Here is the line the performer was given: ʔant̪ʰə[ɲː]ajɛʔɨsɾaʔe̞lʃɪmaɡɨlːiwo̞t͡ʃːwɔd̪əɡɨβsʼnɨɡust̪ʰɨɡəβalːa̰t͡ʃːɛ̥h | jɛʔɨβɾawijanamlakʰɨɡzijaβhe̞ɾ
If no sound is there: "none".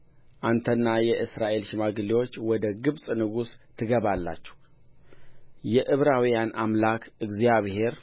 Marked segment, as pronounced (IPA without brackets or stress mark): nː